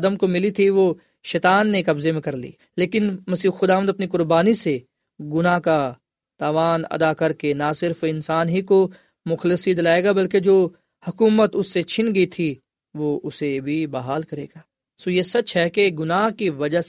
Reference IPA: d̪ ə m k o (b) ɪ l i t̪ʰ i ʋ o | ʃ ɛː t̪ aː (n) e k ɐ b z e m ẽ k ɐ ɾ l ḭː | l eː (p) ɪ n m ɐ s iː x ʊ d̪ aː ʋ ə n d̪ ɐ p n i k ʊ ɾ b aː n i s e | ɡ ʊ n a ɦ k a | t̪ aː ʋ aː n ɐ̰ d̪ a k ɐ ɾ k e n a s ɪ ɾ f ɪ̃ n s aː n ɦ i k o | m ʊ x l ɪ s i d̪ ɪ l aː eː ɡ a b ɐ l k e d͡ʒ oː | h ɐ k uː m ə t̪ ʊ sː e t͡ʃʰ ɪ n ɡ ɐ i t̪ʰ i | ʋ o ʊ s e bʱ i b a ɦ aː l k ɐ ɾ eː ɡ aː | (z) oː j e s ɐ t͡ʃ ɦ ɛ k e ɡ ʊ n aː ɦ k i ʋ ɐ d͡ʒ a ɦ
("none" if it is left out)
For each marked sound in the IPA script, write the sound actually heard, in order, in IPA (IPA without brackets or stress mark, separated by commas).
m, nː, k, s